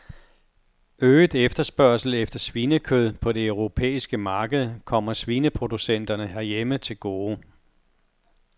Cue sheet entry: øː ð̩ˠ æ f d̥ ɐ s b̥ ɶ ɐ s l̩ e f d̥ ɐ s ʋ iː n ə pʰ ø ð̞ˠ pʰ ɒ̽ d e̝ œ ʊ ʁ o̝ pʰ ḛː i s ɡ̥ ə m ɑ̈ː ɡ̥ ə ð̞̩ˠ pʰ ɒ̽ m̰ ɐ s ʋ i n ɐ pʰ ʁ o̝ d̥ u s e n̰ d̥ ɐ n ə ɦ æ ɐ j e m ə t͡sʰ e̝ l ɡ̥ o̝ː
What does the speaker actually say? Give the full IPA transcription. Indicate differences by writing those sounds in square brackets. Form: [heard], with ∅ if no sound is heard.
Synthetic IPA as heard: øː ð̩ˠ [e] f d̥ ɐ s b̥ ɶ ɐ s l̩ e f d̥ ɐ s ʋ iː n ə [kʰ] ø ð̞ˠ pʰ ɒ̽ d e̝ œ ʊ ʁ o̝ pʰ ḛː i s ɡ̥ ə m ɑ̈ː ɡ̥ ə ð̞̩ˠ [kʰ] ɒ̽ m̰ ɐ s ʋ i n [ə] pʰ ʁ o̝ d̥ u s e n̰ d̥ ɐ n ə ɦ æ ɐ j e m ə t͡sʰ e̝ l ɡ̥ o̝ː